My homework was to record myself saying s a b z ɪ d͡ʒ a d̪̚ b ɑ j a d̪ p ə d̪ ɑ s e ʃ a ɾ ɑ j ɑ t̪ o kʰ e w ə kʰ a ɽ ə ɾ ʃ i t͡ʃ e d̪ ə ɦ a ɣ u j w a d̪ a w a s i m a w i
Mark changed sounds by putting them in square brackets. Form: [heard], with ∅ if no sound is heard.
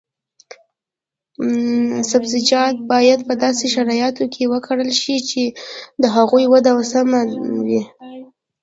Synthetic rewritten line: s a b z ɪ d͡ʒ [ɑ] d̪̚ b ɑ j a d̪ p ə d̪ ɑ s e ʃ a ɾ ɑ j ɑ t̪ o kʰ e w ə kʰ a ɽ ə [l] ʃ i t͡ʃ e d̪ ə ɦ a ɣ u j w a d̪ a w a s [a] m a w i